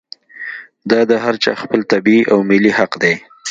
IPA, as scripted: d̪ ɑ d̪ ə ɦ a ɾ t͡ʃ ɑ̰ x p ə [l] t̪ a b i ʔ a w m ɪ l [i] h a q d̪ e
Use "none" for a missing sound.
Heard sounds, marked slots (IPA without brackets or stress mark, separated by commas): l, i